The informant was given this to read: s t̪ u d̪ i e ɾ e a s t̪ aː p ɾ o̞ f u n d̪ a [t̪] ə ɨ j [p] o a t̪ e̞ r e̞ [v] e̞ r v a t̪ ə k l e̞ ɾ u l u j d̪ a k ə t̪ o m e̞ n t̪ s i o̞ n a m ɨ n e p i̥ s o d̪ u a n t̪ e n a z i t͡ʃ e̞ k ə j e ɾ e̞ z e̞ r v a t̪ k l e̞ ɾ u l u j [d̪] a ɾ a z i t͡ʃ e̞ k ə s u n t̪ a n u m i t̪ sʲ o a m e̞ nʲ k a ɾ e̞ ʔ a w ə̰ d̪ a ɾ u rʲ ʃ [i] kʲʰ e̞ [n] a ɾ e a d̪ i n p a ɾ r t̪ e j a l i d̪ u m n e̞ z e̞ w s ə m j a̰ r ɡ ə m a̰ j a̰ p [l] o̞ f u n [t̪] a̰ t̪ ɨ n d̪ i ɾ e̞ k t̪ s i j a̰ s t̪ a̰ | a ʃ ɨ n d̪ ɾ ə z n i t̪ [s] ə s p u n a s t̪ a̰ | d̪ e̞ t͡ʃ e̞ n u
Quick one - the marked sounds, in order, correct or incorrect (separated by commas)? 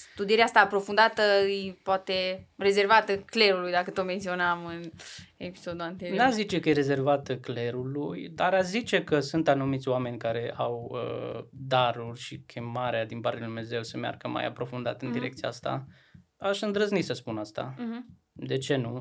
correct, correct, incorrect, correct, correct, incorrect, incorrect, incorrect, correct